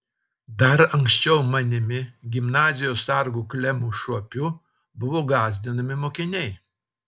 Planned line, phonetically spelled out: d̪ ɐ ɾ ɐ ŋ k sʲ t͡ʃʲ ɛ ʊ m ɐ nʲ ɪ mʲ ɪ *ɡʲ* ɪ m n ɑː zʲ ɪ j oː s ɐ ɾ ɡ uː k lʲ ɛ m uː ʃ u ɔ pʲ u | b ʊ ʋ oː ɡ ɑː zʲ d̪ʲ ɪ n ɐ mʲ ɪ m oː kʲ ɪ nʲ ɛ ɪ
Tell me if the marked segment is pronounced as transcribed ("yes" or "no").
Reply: yes